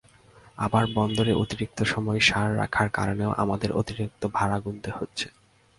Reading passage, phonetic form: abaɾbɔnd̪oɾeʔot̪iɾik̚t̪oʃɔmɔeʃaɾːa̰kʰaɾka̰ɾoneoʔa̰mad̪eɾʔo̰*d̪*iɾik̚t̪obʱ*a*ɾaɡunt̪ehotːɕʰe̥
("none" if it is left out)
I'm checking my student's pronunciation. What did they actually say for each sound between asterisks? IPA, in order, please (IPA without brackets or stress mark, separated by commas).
t̪, a